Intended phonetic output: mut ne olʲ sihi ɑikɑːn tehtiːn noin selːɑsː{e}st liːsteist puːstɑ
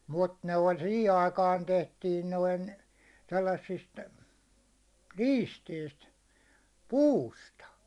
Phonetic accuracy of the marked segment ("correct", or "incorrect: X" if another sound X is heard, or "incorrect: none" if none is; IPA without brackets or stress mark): incorrect: i